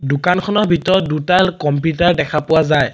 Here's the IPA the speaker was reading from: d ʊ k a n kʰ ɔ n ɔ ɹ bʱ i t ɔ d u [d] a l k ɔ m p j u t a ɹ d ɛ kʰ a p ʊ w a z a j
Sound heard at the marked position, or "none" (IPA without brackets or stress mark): t